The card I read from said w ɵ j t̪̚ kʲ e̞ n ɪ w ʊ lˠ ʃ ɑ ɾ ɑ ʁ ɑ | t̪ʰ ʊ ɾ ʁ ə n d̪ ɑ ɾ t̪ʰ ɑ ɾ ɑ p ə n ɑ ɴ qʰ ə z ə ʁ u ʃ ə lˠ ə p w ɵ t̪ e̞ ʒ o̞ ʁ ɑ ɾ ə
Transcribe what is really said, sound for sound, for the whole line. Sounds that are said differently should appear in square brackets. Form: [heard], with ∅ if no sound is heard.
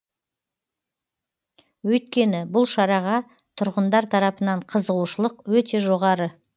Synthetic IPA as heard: w ɵ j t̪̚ kʲ e̞ n ɪ [b] ʊ lˠ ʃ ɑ ɾ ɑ ʁ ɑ | t̪ʰ ʊ ɾ ʁ ə n d̪ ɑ ɾ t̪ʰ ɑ ɾ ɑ p ə n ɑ ɴ qʰ ə z ə ʁ u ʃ ə lˠ ə [q] w ɵ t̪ e̞ ʒ o̞ ʁ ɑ ɾ ə